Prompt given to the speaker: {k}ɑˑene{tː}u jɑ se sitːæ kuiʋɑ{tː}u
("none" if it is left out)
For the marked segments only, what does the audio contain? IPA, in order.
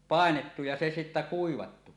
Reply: p, tː, tː

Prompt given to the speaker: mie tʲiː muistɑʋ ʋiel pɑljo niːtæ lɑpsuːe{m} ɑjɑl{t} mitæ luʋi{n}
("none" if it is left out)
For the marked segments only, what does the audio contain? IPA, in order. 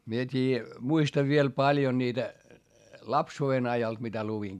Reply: n, t, ŋ

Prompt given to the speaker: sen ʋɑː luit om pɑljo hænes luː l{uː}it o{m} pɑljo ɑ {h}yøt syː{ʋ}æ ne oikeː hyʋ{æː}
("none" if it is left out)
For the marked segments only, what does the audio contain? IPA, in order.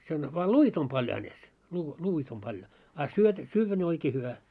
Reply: uː, m, s, ʋː, æ

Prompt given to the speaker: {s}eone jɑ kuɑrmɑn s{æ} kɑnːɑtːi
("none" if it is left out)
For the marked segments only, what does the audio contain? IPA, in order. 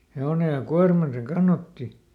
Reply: h, e

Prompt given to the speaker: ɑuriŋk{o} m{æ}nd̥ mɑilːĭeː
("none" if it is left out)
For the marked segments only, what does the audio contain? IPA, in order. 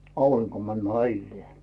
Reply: o, æ

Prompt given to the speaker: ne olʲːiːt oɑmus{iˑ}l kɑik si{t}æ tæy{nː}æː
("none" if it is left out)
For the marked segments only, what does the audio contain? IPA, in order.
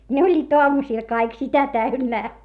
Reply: iˑ, t, nː

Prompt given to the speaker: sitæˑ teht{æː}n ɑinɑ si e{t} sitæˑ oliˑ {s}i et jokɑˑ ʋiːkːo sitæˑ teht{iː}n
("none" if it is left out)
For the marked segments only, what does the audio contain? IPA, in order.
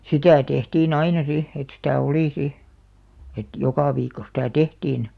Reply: iː, t, s, iː

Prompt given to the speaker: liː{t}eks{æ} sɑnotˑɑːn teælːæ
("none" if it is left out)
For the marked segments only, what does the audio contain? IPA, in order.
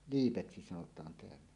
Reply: p, i

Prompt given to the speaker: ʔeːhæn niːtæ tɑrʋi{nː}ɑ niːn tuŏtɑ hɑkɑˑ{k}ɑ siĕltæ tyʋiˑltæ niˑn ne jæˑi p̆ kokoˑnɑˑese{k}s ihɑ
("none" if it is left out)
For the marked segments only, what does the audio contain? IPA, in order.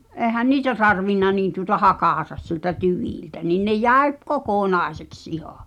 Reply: nː, t, k

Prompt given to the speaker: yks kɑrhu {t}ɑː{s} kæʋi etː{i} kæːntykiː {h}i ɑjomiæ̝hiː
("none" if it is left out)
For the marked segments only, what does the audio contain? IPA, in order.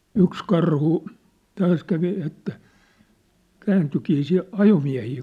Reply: t, s, æ, s

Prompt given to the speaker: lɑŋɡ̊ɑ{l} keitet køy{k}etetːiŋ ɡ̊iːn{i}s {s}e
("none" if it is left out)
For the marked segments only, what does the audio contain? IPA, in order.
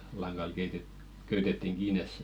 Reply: l, t, e, s

